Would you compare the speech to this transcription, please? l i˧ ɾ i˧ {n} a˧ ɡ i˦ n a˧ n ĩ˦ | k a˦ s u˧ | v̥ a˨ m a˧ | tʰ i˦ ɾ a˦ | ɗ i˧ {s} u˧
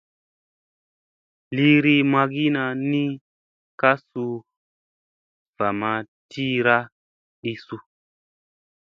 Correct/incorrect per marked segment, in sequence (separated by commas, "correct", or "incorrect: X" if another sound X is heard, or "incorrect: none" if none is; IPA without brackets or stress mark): incorrect: m, correct